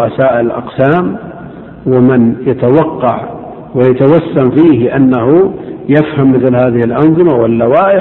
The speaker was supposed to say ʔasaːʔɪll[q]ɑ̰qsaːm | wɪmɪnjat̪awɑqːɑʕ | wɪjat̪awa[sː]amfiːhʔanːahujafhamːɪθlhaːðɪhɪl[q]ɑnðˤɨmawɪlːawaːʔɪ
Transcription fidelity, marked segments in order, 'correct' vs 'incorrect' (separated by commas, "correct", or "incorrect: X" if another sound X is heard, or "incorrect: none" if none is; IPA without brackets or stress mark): incorrect: ʔ, correct, incorrect: ʔ